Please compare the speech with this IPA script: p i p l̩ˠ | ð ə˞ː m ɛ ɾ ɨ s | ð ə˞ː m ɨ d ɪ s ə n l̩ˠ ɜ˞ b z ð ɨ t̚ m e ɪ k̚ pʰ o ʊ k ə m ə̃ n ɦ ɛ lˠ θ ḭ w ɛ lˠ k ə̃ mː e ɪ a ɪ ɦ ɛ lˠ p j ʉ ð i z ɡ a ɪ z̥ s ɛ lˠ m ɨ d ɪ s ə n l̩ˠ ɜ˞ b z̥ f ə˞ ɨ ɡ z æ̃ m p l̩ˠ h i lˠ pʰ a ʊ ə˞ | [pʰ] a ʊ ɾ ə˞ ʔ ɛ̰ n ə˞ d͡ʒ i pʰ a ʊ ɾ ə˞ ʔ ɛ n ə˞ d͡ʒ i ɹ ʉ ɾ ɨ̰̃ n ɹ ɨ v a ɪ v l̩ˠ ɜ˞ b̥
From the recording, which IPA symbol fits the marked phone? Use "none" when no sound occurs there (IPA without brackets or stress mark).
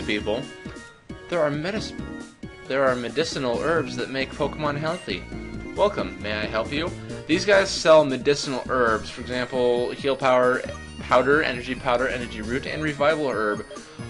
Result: pʰ